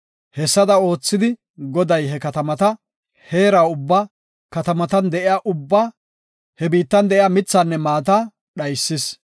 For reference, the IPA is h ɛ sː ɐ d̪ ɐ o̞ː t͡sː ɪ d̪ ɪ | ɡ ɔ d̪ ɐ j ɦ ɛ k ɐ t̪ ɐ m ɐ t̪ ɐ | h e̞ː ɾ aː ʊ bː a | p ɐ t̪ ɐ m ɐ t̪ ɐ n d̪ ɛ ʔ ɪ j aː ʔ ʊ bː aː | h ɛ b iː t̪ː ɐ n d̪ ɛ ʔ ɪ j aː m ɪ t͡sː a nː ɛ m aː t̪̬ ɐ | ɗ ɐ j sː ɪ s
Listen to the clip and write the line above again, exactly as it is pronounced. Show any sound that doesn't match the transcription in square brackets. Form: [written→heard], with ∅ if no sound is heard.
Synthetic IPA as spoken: h ɛ sː ɐ d̪ ɐ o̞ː t͡sː ɪ d̪ ɪ | ɡ ɔ d̪ ɐ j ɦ ɛ k ɐ t̪ ɐ m ɐ t̪ ɐ | h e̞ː ɾ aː ʊ bː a | [p→k] ɐ t̪ ɐ m ɐ t̪ ɐ n d̪ ɛ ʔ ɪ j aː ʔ ʊ bː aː | h ɛ b iː t̪ː ɐ n d̪ ɛ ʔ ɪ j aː m ɪ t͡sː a nː ɛ m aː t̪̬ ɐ | ɗ ɐ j sː ɪ s